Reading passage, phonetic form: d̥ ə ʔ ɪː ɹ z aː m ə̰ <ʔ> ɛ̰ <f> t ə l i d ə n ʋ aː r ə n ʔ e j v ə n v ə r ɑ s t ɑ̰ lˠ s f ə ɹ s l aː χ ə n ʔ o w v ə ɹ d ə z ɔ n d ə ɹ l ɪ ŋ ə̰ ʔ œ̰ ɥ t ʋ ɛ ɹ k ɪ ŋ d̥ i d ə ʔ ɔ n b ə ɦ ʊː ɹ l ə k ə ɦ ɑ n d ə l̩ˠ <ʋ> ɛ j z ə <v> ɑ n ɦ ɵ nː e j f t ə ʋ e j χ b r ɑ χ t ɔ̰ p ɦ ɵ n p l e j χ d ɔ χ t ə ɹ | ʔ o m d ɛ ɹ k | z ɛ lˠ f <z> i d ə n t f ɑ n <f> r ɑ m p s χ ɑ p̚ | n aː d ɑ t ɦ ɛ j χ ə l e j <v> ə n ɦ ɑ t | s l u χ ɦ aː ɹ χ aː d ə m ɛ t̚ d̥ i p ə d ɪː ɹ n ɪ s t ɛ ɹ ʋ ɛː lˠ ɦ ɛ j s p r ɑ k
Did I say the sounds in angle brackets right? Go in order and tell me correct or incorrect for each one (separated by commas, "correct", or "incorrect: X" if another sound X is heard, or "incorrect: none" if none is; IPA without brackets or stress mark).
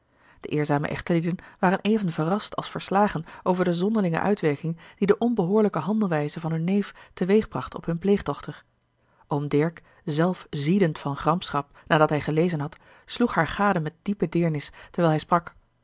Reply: correct, incorrect: χ, correct, correct, correct, incorrect: χ, incorrect: z